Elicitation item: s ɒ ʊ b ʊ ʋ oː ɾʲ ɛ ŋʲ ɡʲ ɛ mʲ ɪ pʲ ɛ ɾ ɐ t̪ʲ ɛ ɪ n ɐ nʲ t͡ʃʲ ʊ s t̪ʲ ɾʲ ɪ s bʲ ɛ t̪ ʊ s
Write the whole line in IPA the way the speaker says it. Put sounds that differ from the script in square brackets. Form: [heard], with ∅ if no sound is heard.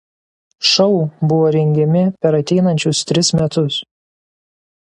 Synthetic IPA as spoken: [ʃ] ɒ ʊ b ʊ ʋ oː ɾʲ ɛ ŋʲ ɡʲ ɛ mʲ ɪ pʲ ɛ ɾ ɐ t̪ʲ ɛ ɪ n ɐ nʲ t͡ʃʲ ʊ s t̪ʲ ɾʲ ɪ s [mʲ] ɛ t̪ ʊ s